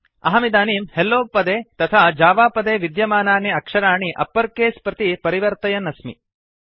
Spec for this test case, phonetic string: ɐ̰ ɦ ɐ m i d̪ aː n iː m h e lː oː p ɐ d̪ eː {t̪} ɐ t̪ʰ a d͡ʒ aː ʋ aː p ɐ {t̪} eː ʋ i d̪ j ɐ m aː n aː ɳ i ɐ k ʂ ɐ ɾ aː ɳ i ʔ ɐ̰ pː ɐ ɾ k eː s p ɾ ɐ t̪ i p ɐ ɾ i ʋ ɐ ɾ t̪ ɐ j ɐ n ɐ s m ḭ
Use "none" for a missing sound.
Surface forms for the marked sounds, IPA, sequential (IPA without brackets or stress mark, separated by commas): t̪, d̪